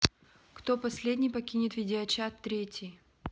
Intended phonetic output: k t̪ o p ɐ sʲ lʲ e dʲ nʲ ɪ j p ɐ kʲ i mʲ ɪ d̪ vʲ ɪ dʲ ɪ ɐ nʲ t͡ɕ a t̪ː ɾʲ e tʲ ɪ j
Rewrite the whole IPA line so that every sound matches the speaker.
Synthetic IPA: k t̪ o p ɐ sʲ lʲ e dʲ nʲ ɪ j p ɐ kʲ i nʲ ɪ t̪ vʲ ɪ dʲ ɪ ɐ t͡ɕ a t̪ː ɾʲ e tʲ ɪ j

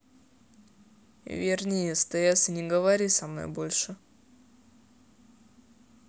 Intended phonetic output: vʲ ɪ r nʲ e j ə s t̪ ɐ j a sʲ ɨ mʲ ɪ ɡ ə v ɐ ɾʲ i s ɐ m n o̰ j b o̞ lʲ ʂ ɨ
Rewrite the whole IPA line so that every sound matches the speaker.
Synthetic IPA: vʲ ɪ r nʲ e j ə s t̪ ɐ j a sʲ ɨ nʲ ɪ ɡ ə v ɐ ɾʲ i s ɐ m n o̰ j b o̞ lʲ ʂ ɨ

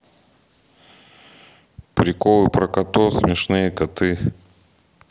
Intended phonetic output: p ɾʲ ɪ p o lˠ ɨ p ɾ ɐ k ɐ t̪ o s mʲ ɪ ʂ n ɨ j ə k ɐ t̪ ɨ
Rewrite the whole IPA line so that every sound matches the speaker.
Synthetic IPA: p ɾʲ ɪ k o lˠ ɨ p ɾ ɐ k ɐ t̪ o s mʲ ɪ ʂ n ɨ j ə k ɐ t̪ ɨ

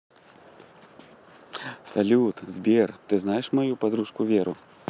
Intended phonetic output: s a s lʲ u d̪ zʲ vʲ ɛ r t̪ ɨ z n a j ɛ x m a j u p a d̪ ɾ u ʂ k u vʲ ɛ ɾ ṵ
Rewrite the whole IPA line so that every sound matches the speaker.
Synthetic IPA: s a lʲ u t̪ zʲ bʲ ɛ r t̪ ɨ z n a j ɛ ʂ m a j u p a d̪ ɾ u ʂ k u vʲ ɛ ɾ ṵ

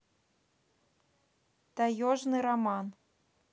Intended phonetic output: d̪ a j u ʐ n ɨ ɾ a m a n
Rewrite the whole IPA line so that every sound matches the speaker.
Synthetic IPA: t̪ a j ɔ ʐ n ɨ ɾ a m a n

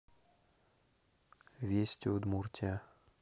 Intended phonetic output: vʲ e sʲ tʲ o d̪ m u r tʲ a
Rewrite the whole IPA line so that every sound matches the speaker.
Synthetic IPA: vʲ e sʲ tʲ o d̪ m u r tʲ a

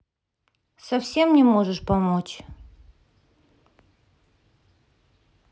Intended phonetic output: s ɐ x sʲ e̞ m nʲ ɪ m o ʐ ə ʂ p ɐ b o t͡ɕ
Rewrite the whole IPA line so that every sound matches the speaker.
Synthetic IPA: s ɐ f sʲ e̞ m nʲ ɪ m o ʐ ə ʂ p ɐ m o t͡ɕ

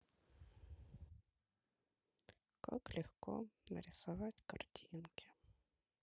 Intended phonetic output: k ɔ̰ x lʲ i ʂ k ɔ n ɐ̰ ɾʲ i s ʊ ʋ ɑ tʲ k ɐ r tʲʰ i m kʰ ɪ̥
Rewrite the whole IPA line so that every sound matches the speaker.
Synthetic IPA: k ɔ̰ k lʲ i x k ɔ n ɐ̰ ɾʲ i s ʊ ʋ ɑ tʲ k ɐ r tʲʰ i n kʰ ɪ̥

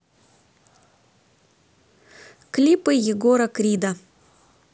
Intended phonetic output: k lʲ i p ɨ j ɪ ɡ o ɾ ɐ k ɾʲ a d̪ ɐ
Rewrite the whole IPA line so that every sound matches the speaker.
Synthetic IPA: k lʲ i p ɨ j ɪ ɡ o ɾ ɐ k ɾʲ i d̪ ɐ

